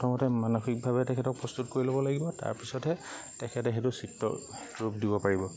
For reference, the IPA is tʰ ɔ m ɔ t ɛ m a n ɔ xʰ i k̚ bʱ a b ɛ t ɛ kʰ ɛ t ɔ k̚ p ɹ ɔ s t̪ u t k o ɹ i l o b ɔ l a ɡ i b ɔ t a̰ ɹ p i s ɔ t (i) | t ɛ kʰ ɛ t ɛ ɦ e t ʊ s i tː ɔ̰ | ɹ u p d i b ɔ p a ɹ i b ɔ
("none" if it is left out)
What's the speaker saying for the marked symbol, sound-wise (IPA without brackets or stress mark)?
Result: ɛ